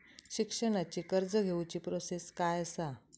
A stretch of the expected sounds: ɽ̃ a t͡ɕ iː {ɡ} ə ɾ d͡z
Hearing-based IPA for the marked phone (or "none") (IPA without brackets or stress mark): k